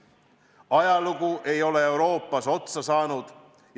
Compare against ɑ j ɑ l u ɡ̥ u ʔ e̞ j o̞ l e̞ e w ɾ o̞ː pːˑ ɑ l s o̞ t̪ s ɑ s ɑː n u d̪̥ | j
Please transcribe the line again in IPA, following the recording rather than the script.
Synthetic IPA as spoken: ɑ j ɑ l u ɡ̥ u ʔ e̞ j o̞ l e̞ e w ɾ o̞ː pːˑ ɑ s o̞ t̪ s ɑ s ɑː n u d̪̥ | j